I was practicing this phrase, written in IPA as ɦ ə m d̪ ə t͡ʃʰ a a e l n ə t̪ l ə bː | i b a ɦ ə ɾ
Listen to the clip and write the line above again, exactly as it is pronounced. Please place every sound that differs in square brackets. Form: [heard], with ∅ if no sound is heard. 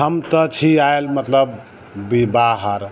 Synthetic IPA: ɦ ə m [t̪] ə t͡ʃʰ [i] a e l [m] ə t̪ l ə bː | i b a ɦ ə ɾ